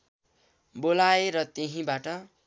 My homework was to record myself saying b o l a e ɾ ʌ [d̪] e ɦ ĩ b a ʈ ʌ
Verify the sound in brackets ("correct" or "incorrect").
incorrect